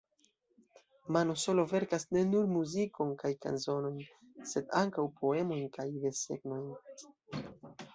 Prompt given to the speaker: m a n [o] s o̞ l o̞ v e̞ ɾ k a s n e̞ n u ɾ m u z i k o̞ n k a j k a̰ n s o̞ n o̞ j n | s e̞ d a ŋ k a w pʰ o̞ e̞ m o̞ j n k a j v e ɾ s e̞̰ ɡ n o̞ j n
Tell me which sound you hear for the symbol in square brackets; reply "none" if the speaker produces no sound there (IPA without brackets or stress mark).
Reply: o